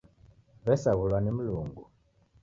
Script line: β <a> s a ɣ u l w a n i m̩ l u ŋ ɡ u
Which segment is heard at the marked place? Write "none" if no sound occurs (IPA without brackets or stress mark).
ɛ